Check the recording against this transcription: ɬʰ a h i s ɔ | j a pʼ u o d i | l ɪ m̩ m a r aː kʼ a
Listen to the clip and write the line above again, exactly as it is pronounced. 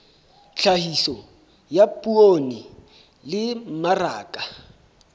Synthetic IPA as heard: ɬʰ a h i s ɔ | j a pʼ u o n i | l ɪ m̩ m a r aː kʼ a